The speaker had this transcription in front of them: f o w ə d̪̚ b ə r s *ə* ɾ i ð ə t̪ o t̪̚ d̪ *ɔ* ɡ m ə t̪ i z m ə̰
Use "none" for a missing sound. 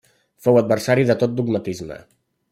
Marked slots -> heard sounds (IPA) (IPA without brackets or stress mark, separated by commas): a, u